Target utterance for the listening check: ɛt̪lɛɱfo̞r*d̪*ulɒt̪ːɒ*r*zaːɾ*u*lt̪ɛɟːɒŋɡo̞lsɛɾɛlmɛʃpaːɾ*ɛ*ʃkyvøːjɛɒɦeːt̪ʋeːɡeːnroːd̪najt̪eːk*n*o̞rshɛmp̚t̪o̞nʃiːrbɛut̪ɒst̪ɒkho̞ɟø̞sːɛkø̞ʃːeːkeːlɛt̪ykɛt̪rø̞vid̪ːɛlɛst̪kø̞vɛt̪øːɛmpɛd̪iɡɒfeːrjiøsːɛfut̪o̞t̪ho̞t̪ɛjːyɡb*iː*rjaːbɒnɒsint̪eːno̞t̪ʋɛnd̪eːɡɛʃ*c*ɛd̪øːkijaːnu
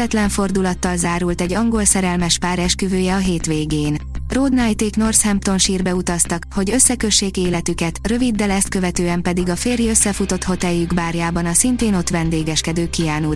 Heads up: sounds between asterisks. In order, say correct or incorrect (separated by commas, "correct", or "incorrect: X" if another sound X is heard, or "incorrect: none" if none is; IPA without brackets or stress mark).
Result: correct, incorrect: l, correct, correct, correct, incorrect: aː, incorrect: k